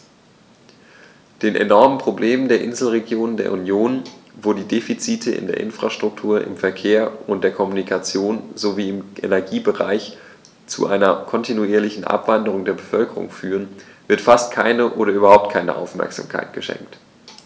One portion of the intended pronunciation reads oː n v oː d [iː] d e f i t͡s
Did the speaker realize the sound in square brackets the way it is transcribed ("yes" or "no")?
yes